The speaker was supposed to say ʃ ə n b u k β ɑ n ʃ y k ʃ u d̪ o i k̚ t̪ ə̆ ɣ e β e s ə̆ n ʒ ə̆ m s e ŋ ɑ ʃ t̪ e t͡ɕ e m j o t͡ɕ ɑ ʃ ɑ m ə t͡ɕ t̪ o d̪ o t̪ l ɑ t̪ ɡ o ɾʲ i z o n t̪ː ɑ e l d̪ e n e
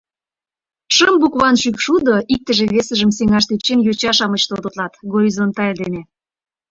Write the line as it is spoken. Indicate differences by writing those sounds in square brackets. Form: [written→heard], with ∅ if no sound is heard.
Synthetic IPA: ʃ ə [n→m] b u k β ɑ n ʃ y k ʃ u d̪ o i k̚ t̪ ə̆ [ɣ→ʒ] e β e s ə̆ [n→∅] ʒ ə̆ m s e ŋ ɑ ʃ t̪ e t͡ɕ e [m→n] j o t͡ɕ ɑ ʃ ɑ m ə t͡ɕ t̪ o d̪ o t̪ l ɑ t̪ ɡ o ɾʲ i z o n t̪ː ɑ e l d̪ e n e